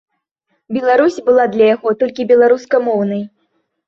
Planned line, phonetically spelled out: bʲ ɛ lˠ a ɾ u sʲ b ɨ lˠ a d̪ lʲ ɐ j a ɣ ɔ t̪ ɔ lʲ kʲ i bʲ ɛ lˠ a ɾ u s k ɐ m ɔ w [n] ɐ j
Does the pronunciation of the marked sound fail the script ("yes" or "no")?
no